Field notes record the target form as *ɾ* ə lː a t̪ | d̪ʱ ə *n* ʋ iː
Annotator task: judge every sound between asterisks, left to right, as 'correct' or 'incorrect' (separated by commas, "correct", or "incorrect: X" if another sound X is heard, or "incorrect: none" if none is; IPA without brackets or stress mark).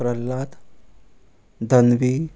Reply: correct, correct